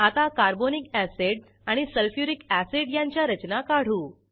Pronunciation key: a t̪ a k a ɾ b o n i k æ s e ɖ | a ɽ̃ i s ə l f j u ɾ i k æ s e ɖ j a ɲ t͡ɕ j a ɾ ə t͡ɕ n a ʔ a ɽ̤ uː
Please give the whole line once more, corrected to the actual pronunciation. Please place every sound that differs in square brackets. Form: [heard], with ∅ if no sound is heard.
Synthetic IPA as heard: a t̪ a k a ɾ b o n i k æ s e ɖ | a ɽ̃ i s ə l f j u ɾ i k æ s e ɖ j a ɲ t͡ɕ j a ɾ ə t͡ɕ n a [k] a ɽ̤ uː